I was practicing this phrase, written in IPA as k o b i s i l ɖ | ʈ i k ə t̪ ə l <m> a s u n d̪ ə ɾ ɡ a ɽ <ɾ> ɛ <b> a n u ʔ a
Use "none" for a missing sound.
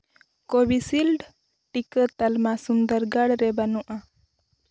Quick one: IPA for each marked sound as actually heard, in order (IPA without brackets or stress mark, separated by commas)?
m, ɾ, b